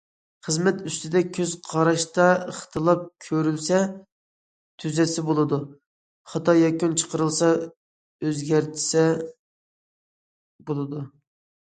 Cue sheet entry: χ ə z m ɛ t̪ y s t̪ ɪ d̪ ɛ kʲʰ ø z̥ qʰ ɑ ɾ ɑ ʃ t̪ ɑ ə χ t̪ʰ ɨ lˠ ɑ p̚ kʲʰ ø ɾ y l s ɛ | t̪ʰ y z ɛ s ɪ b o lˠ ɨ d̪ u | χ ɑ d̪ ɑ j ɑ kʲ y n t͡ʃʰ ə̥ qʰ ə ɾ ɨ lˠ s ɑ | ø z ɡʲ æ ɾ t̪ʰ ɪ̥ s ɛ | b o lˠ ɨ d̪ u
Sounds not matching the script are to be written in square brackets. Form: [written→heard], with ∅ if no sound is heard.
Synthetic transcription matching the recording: χ ə z m ɛ t̪ y s t̪ ɪ d̪ ɛ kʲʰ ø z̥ qʰ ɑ ɾ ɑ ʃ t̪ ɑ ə χ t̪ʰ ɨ lˠ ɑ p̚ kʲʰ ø ɾ y l s ɛ | t̪ʰ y z ɛ s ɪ b o lˠ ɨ d̪ u | χ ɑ [d̪→t̪] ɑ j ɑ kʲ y n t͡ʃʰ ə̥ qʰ ə ɾ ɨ lˠ s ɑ | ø z ɡʲ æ ɾ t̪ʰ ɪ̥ s ɛ | b o lˠ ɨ d̪ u